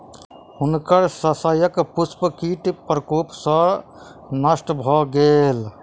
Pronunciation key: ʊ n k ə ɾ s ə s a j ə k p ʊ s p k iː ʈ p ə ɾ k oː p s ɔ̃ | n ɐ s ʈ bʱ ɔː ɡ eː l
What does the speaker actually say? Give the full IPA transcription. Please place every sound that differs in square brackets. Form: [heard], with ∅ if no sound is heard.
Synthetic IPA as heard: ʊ n k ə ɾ s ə s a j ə k p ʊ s p k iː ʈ p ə ɾ k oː p s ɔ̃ | n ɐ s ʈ bʱ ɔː ɡ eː l